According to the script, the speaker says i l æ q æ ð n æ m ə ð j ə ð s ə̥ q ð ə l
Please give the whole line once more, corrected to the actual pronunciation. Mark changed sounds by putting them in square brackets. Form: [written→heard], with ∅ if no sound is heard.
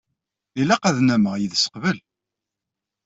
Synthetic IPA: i l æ q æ ð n æ m ə [ð→ʁ] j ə ð s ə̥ q [ð→v] ə l